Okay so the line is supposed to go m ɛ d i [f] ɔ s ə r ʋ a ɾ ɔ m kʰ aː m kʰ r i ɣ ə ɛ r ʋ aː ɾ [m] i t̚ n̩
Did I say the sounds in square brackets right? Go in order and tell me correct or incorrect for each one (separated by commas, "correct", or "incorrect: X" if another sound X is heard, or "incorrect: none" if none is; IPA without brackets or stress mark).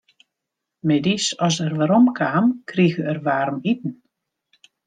incorrect: s, correct